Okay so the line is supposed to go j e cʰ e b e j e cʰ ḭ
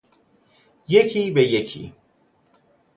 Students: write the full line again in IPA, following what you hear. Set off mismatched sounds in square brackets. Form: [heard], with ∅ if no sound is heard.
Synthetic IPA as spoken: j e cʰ [i] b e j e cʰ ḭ